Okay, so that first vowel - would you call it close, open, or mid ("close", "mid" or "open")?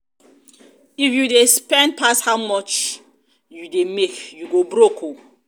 close